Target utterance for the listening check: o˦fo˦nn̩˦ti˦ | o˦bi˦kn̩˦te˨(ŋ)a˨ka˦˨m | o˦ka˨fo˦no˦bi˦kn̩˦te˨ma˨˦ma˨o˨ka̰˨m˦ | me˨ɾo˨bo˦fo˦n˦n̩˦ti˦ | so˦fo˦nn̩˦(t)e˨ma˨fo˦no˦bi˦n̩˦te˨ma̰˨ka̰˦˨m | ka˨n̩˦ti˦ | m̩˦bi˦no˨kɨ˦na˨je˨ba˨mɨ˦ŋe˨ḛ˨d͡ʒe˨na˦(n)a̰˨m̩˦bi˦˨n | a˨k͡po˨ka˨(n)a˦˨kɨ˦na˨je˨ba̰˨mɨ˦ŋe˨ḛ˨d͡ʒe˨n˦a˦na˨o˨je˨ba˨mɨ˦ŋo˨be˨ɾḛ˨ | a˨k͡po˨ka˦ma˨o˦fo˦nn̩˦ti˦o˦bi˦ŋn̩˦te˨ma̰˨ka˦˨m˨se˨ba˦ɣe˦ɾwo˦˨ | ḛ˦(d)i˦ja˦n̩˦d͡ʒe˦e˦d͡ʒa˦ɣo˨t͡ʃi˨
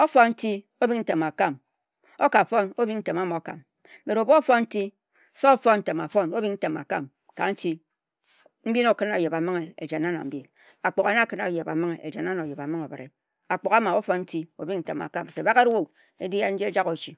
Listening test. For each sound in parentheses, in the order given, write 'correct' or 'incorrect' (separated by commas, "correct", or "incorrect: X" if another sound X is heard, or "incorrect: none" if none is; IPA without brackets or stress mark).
incorrect: m, correct, correct, correct, correct